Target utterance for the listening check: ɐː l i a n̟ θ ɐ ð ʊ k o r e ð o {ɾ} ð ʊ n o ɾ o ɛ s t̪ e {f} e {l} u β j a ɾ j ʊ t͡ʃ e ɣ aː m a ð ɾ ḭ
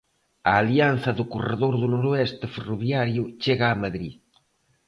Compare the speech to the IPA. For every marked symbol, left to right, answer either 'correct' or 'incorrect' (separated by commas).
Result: correct, correct, incorrect